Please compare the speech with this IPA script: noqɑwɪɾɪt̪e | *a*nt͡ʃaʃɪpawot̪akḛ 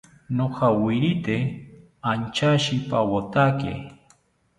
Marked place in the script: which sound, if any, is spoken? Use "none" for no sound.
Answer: a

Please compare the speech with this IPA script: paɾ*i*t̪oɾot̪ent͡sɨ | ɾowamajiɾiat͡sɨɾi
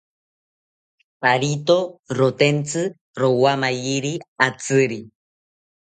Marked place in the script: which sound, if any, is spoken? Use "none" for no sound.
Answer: i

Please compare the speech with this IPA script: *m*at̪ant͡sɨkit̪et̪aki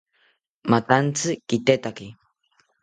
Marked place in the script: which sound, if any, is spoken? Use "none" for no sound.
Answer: m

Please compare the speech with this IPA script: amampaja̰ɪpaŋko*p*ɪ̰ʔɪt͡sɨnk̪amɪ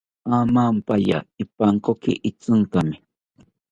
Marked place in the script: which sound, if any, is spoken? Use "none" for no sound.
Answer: k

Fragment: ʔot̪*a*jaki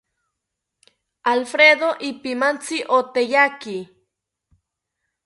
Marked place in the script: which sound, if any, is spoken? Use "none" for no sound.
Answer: e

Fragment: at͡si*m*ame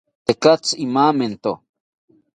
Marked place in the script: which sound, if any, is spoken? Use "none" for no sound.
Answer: m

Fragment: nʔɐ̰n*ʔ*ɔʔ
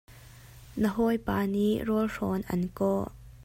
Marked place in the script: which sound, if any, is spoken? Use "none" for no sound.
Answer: k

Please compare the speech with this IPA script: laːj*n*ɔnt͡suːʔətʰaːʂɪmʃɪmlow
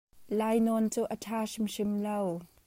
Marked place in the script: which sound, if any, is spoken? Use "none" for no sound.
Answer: n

